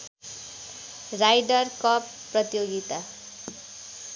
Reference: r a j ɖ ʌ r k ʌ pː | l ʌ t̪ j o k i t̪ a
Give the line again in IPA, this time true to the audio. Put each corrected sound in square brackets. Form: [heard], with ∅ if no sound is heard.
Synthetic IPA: r a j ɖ ʌ r k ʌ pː | [r] ʌ t̪ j o [ɡ] i t̪ a